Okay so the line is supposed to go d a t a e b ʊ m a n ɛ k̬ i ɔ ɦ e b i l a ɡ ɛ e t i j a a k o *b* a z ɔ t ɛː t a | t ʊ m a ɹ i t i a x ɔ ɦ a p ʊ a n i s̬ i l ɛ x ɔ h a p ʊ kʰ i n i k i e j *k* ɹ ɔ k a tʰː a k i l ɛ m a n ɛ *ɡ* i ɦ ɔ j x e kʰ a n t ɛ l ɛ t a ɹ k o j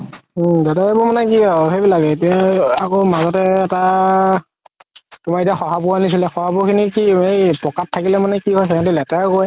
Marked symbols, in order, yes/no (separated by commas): no, no, no